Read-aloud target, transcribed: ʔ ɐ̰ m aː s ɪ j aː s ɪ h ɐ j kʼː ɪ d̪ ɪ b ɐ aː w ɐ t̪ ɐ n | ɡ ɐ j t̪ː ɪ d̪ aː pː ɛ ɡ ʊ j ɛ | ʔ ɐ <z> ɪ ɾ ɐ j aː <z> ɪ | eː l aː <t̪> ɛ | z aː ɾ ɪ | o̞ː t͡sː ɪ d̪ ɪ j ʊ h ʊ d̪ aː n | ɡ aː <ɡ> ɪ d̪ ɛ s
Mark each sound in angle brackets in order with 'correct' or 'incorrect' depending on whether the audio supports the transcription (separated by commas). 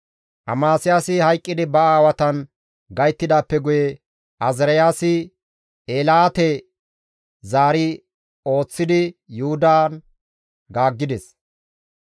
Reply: correct, incorrect, correct, incorrect